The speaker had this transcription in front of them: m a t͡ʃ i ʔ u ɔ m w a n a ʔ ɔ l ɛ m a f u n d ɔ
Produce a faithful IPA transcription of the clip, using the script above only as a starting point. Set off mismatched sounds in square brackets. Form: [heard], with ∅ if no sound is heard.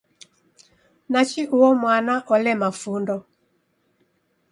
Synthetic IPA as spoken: [n] a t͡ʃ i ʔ u ɔ m w a n a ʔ ɔ l ɛ m a f u n d ɔ